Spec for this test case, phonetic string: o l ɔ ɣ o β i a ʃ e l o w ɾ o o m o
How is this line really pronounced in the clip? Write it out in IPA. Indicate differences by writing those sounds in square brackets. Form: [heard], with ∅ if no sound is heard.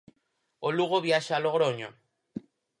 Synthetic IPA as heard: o l [u] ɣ o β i a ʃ [a] l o [ɣ] ɾ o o [ɲ] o